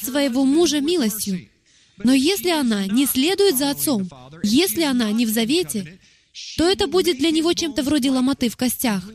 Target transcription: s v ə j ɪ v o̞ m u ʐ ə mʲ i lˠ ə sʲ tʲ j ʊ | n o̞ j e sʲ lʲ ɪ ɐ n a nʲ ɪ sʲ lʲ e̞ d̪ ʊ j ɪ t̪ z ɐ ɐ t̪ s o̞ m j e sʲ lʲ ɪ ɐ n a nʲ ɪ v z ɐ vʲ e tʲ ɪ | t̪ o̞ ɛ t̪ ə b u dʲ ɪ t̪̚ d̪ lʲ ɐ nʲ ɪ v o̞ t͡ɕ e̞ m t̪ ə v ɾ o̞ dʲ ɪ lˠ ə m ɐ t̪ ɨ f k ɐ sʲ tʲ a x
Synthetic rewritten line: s v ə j ɪ v o̞ m u ʐ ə mʲ i lˠ ə sʲ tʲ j ʊ | n o̞ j e sʲ lʲ ɪ ɐ n a nʲ ɪ sʲ lʲ e̞ d̪ ʊ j ɪ t̪ z ɐ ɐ t̪ s o̞ m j e sʲ lʲ ɪ ɐ n a nʲ ɪ v z ɐ vʲ e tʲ ɪ | t̪ o̞ ɛ t̪ ə b u dʲ ɪ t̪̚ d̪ lʲ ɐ nʲ ɪ v o̞ t͡ɕ e̞ m t̪ ə v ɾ o̞ dʲ ɪ lˠ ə m ɐ t̪ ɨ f k ɐ sʲ tʲ a x